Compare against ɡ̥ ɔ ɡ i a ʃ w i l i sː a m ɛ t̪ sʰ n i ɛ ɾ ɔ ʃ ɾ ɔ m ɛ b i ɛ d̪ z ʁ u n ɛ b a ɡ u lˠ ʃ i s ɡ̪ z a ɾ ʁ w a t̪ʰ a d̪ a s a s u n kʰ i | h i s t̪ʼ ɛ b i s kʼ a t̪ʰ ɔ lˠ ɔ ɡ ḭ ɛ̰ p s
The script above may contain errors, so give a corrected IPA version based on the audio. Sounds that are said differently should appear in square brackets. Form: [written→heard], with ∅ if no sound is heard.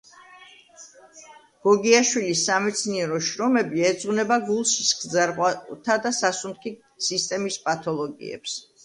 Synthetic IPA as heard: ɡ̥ ɔ ɡ i a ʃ w i l i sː a m ɛ t̪ sʰ n i ɛ ɾ ɔ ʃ ɾ ɔ m ɛ b i ɛ d̪ z ʁ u n ɛ b a ɡ u lˠ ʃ i s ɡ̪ z a ɾ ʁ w a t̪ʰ a d̪ a s a s u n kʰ i | [h→s] i s t̪ʼ ɛ [b→m] i s [kʼ→pʼ] a t̪ʰ ɔ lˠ ɔ ɡ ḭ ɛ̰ p s